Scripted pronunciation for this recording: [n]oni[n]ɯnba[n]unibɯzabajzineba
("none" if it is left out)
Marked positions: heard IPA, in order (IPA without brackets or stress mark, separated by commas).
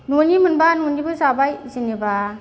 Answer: n, m, n